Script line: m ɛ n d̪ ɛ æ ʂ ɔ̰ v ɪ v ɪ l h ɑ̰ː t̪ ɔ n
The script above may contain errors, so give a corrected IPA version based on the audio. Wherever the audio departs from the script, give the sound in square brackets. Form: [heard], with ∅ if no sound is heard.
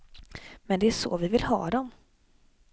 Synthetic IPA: m ɛ n d̪ ɛ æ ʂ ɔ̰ v ɪ v ɪ l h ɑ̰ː [d̪] ɔ [m]